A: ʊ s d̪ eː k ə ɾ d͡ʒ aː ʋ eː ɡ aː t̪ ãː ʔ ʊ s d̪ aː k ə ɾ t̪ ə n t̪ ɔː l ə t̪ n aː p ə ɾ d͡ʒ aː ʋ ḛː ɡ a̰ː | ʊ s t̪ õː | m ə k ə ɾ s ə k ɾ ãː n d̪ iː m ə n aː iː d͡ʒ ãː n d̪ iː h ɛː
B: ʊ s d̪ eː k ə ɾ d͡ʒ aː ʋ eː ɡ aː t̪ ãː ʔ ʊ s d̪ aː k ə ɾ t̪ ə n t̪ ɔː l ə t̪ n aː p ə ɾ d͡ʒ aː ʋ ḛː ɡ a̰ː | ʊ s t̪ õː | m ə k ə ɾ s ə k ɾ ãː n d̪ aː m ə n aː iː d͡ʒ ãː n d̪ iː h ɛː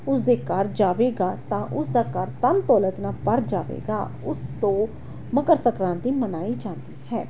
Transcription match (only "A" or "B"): A